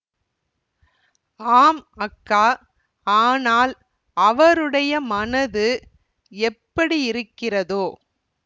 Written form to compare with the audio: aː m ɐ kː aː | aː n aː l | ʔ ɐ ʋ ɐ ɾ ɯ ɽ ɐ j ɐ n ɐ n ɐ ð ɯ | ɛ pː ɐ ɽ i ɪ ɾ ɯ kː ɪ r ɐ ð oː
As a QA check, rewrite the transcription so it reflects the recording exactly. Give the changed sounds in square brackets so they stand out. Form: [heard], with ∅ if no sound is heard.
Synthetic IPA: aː m ɐ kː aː | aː n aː l | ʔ ɐ ʋ ɐ ɾ ɯ ɽ ɐ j ɐ [m] ɐ n ɐ ð ɯ | ɛ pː ɐ ɽ i ɪ ɾ ɯ kː ɪ r ɐ ð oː